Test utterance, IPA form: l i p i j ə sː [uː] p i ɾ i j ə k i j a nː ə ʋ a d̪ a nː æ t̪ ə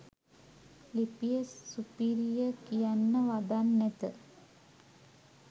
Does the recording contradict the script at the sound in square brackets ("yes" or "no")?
yes